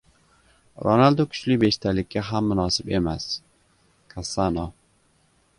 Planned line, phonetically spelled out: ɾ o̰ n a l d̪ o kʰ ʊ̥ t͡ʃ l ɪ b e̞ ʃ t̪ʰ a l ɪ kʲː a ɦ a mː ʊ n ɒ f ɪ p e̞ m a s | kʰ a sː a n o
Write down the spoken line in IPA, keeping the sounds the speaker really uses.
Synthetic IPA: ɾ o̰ n a l d̪ o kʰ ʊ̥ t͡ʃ l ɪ b e̞ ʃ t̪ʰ a l ɪ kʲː a ɦ a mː ʊ n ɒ s ɪ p e̞ m a s | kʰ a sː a n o